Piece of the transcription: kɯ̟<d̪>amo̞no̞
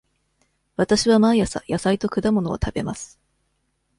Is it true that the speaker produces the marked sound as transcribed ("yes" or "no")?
yes